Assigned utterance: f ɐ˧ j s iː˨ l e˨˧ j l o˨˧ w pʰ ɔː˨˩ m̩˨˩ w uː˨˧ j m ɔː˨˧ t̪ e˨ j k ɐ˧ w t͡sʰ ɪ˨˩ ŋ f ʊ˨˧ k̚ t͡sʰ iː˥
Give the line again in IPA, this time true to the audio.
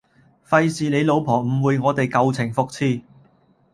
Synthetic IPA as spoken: f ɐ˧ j s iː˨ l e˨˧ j l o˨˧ w pʰ ɔː˨˩ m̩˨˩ w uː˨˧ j ŋ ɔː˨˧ t̪ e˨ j k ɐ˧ w t͡sʰ ɪ˨˩ ŋ f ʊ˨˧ k̚ t͡sʰ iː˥

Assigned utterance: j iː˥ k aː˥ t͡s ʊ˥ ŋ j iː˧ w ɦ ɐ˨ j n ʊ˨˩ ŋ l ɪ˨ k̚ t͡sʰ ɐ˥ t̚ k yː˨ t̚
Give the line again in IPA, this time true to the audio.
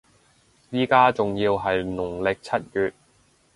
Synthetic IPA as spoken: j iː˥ k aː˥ t͡s ʊ˨ ŋ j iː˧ w ɦ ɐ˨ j n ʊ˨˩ ŋ l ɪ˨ k̚ t͡sʰ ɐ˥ t̚ k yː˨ t̚

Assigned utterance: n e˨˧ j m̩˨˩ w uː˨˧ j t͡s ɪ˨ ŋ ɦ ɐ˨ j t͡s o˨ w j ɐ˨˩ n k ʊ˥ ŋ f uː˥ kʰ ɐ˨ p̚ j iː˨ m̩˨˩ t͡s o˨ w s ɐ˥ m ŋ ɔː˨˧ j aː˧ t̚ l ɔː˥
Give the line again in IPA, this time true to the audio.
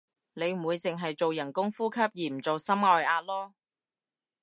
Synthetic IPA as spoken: n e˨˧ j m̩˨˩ w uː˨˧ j t͡s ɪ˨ ŋ ɦ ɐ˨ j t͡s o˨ w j ɐ˨˩ n k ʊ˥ ŋ f uː˥ kʰ ɐ˥ p̚ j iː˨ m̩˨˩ t͡s o˨ w s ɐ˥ m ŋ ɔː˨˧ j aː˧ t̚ l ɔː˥

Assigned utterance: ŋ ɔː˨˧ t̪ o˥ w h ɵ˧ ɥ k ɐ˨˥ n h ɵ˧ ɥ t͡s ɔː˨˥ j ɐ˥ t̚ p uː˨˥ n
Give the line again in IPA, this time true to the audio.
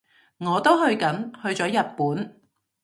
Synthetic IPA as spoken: ŋ ɔː˨˧ t̪ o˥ w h ɵ˧ ɥ k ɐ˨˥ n h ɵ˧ ɥ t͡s ɔː˨˥ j ɐ˨ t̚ p uː˨˥ n

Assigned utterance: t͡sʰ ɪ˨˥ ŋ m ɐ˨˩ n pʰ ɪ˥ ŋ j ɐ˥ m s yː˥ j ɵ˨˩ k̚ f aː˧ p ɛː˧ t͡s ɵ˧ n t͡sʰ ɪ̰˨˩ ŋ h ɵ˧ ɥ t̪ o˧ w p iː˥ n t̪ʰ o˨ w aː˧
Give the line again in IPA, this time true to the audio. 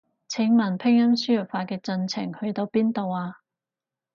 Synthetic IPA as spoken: t͡sʰ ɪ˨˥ ŋ m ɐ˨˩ n pʰ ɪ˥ ŋ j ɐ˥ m s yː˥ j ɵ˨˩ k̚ f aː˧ k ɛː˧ t͡s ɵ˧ n t͡sʰ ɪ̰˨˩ ŋ h ɵ˧ ɥ t̪ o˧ w p iː˥ n t̪ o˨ w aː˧

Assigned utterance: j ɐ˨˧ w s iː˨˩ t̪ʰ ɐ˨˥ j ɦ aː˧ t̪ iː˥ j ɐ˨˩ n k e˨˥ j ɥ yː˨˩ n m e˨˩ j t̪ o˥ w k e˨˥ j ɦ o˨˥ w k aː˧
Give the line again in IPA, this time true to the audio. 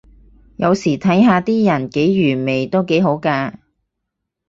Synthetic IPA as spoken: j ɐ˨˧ w s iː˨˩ t̪ʰ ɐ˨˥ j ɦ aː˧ t̪ iː˥ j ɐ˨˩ n k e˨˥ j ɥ yː˨˩ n m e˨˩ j t̪ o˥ w k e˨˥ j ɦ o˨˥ w k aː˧

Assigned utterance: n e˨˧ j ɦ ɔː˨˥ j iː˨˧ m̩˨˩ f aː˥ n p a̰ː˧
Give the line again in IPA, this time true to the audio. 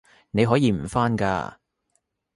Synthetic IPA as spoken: n e˨˧ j ɦ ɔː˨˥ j iː˨˧ m̩˨˩ f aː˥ n k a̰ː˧

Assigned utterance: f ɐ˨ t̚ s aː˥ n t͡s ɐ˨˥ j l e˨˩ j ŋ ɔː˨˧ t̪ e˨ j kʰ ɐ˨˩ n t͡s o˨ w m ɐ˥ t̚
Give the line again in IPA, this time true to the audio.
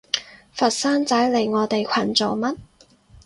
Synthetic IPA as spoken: f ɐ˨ t̚ s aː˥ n t͡s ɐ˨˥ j l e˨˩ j ŋ ɔː˨˧ t̪ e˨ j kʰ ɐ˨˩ n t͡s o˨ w m ɐ˥ t̚

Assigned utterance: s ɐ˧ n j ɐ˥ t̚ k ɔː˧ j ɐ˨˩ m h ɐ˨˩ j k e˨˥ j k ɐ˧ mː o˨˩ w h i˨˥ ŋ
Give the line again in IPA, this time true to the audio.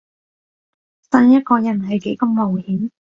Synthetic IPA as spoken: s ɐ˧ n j ɐ˥ t̚ k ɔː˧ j ɐ˨˩ n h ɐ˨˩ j k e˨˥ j k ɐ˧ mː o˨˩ w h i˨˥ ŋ

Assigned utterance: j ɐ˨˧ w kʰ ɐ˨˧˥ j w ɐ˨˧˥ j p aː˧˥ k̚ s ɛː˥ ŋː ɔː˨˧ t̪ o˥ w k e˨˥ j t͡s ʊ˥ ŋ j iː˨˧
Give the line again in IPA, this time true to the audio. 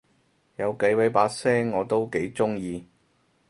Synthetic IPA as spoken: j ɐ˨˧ w k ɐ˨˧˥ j w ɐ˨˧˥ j p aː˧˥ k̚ s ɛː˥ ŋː ɔː˨˧ t̪ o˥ w k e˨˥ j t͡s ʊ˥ ŋ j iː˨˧

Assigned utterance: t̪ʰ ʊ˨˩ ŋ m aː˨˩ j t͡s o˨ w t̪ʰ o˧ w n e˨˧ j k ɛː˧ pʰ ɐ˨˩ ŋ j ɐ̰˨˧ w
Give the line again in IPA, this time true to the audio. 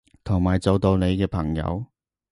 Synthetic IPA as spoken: t̪ʰ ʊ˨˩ ŋ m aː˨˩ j t͡s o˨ w t̪ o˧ w n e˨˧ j k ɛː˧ pʰ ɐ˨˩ ŋ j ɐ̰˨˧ w

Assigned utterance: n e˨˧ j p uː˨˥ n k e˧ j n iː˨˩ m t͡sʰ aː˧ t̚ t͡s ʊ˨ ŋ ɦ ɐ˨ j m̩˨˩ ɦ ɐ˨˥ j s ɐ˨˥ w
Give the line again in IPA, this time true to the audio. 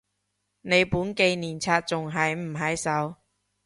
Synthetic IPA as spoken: n e˨˧ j p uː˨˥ n k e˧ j n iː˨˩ n t͡sʰ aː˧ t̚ t͡s ʊ˨ ŋ ɦ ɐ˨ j m̩˨˩ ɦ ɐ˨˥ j s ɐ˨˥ w

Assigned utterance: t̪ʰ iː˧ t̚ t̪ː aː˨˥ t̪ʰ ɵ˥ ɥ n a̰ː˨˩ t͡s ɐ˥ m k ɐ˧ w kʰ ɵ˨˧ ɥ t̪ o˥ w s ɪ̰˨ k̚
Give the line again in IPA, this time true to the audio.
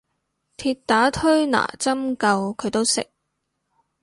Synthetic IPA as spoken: t̪ʰ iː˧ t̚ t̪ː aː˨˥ t̪ʰ ɵ˥ ɥ n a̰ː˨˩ t͡s ɐ˥ m k ɐ˧ w kʰ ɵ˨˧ ɥ t̪ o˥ w s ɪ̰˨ k̚

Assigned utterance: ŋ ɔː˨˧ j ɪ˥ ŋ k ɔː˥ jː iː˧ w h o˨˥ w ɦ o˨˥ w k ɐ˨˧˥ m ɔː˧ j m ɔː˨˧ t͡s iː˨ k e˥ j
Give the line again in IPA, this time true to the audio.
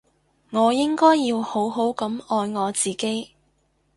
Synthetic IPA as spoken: ŋ ɔː˨˧ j ɪ˥ ŋ k ɔː˥ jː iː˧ w h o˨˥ w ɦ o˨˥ w k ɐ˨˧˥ m ɔː˧ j ŋ ɔː˨˧ t͡s iː˨ k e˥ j

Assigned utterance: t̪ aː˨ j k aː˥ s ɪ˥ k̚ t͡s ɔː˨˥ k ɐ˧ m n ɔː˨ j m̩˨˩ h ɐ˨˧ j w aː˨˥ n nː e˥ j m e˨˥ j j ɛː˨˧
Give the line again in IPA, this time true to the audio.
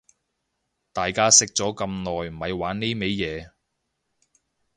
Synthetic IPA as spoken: t̪ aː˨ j k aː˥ s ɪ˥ k̚ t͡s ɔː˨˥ k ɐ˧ m n ɔː˨ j m̩˨˩ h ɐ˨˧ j w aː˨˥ n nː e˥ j m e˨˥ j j ɛː˨˧

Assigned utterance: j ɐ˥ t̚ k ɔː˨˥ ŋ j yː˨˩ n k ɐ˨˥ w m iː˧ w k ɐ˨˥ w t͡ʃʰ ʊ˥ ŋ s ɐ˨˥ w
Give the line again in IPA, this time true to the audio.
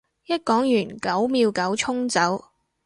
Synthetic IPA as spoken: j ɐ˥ t̚ k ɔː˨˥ ŋ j yː˨˩ n k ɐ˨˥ w m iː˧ w k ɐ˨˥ w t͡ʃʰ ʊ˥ ŋ t͡s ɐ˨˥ w

